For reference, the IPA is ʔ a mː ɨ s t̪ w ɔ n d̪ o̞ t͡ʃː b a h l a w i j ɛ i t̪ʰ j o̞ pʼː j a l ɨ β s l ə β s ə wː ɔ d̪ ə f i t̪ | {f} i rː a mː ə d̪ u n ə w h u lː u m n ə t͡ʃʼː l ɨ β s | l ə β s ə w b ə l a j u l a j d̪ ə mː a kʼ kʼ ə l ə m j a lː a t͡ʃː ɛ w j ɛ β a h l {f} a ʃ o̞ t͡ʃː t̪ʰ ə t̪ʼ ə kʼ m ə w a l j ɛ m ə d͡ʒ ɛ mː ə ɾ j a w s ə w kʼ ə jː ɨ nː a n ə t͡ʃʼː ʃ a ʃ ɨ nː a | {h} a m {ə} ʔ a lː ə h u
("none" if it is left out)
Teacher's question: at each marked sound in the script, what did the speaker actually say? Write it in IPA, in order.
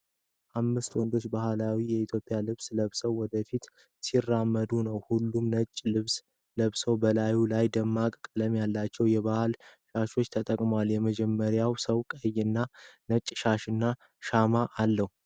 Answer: s, ʃ, ʃ, a

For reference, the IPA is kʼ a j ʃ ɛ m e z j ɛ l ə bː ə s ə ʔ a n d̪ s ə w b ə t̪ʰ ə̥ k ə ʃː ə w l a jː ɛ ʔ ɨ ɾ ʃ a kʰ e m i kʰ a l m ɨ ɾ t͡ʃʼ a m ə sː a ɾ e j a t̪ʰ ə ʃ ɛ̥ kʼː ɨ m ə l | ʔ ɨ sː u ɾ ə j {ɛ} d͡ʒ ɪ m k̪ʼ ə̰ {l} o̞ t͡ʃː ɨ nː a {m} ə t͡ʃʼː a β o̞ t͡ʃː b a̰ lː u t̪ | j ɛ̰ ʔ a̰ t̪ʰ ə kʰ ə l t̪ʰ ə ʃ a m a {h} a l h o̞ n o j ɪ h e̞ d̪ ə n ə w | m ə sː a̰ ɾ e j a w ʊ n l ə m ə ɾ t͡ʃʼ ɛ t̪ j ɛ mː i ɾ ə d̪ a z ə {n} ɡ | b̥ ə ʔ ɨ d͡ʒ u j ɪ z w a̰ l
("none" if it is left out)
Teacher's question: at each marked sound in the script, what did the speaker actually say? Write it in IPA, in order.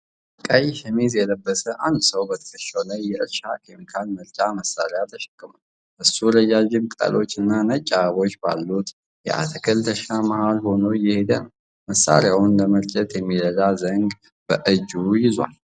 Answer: a, l, n, h, ŋ

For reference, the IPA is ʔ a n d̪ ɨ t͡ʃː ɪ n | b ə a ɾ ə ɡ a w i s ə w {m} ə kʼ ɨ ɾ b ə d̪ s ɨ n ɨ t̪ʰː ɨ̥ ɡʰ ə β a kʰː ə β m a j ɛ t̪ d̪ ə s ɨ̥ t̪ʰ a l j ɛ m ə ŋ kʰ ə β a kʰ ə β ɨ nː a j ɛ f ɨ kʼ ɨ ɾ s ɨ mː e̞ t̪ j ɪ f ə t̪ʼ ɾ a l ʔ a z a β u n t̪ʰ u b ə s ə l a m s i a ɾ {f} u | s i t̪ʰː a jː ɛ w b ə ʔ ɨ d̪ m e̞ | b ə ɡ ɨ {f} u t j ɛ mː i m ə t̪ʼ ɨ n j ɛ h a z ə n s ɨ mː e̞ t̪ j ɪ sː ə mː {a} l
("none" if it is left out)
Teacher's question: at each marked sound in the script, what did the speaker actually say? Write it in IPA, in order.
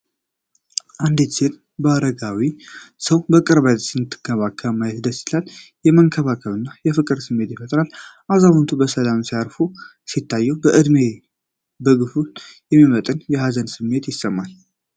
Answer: b, f, f, a

